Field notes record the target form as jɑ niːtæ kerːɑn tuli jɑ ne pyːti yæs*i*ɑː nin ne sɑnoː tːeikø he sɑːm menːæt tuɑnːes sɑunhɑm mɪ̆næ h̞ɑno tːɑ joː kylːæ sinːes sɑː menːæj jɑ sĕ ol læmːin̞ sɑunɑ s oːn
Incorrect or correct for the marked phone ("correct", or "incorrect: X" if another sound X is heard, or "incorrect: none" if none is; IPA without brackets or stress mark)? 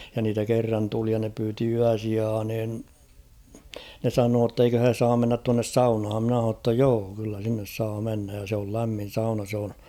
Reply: correct